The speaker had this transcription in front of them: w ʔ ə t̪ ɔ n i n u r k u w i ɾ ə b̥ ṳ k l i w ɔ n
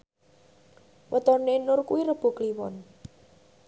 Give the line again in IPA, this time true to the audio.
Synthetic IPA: w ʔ ə t̪ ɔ n e n ʊ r k u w i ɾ ə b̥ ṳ k l i w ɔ n